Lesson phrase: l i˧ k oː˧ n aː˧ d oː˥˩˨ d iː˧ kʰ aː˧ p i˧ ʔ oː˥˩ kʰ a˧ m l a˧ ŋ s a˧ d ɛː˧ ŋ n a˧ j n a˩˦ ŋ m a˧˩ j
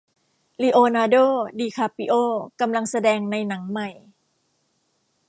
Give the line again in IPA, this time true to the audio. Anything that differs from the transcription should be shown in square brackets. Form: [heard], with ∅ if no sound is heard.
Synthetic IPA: l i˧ [ʔ] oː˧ n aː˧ d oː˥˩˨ d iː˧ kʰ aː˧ p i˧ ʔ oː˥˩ [k] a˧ m l a˧ ŋ s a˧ d ɛː˧ ŋ n a˧ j n a˩˦ ŋ m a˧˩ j